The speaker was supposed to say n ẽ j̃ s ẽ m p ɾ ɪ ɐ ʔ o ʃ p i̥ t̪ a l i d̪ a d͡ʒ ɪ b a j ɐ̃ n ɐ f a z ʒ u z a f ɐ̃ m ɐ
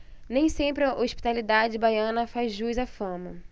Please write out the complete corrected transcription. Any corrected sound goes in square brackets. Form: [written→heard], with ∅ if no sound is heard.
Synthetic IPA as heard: n ẽ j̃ s ẽ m p ɾ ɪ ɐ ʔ o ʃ p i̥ t̪ a l i d̪ a d͡ʒ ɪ b a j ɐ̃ n ɐ f a z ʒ u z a f ɐ̃ m ɐ